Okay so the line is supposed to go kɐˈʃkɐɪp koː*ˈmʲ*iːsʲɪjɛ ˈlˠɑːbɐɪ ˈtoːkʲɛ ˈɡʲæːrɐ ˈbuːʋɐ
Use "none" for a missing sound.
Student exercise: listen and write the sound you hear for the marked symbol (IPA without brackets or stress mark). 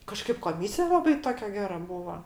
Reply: mʲ